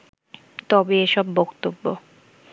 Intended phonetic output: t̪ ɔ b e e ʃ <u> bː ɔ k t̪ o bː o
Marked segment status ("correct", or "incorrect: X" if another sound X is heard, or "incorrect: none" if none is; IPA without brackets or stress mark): incorrect: ɔ